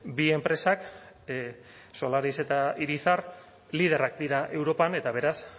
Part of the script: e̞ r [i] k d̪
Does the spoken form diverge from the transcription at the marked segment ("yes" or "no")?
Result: yes